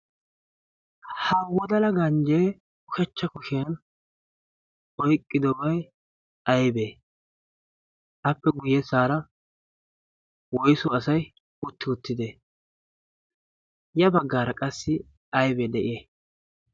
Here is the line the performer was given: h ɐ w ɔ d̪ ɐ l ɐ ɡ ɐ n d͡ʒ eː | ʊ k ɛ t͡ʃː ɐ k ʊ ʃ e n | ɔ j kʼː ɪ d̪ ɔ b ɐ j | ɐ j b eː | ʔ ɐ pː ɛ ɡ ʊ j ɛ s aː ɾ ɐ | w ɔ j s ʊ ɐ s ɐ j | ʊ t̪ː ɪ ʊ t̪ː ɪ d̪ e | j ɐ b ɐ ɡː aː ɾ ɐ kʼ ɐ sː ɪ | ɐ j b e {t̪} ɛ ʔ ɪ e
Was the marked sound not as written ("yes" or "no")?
yes